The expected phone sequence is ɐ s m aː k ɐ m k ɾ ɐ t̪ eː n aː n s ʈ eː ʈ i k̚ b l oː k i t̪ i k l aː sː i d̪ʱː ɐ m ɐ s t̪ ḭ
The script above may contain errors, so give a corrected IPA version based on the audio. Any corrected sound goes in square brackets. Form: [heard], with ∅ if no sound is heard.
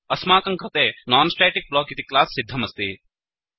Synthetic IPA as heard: ɐ s m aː k ɐ [ŋ] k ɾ ɐ t̪ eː n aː n s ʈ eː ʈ i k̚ b l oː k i t̪ i k l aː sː i d̪ʱː ɐ m ɐ s t̪ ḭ